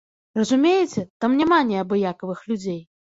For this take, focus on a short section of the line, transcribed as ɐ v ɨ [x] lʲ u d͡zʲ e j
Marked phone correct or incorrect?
correct